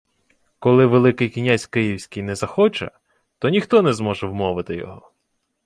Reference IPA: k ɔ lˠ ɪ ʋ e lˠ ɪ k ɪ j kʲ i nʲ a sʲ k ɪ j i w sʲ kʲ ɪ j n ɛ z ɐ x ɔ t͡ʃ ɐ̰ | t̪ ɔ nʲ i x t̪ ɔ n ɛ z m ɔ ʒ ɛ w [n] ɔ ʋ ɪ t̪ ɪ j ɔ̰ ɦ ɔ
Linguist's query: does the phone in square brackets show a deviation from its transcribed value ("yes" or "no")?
yes